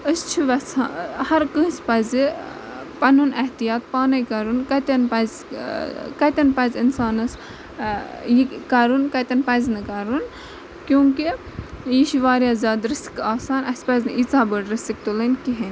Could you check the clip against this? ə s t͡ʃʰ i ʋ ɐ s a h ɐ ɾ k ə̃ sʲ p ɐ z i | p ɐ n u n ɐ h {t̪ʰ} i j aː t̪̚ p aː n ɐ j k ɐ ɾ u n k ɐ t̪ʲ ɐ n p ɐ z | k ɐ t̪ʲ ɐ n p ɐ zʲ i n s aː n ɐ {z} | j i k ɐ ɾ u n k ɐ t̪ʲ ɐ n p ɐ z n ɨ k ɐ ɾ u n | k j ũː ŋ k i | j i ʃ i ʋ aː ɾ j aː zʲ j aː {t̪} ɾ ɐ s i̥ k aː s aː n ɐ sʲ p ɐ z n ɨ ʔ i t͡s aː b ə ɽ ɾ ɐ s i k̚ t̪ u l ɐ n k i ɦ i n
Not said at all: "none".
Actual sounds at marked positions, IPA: t̪, s, d̪

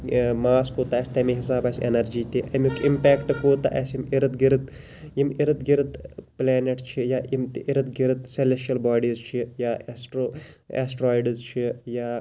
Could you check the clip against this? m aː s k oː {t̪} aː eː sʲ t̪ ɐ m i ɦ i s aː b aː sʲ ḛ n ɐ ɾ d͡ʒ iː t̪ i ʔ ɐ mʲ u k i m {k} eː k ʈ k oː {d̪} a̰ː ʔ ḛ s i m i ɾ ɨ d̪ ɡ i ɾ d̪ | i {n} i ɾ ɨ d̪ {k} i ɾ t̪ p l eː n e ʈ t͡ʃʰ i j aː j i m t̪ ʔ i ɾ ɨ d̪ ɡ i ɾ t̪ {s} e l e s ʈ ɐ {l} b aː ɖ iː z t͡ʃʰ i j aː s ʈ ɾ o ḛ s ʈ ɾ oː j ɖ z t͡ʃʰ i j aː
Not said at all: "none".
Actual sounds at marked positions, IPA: t̪, p, t̪, m, ɡ, s, l

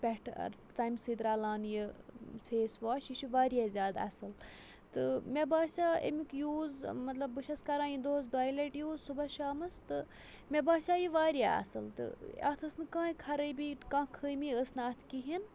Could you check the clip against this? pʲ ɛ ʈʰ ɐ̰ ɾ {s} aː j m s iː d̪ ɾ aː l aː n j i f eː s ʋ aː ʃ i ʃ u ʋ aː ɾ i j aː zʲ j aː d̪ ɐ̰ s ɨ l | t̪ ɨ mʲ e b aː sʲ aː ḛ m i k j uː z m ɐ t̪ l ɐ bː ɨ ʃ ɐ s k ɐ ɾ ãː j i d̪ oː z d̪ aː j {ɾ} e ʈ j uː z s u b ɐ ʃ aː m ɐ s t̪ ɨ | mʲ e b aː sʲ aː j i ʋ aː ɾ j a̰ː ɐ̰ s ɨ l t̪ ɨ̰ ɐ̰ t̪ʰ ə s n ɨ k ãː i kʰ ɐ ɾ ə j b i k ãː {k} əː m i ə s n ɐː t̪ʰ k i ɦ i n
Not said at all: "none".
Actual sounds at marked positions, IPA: t͡s, l, kʰ

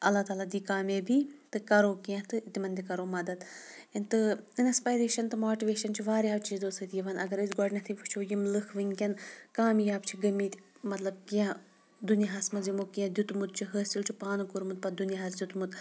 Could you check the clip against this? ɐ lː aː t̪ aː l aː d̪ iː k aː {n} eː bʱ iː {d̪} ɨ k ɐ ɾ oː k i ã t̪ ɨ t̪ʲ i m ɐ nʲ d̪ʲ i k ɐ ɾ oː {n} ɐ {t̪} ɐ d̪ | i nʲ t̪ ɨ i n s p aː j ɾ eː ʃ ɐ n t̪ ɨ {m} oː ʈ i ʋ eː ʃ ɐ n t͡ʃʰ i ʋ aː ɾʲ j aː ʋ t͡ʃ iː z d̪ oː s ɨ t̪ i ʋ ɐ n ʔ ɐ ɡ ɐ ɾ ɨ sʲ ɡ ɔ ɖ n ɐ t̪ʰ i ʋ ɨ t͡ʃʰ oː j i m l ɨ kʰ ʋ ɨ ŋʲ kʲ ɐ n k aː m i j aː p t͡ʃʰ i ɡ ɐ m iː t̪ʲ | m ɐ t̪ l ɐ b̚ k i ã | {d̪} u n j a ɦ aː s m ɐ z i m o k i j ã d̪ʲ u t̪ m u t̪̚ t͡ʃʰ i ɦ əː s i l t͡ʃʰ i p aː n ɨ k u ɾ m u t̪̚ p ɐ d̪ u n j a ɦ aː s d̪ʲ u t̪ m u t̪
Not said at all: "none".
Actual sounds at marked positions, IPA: m, t̪, m, d̪, m, d̪

